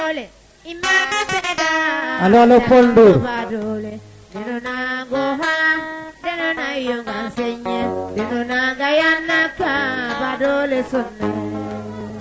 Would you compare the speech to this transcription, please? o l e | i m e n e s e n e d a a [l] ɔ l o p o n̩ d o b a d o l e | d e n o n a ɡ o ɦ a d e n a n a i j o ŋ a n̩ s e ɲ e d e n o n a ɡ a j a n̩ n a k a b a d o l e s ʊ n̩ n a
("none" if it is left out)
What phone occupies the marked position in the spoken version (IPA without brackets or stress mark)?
l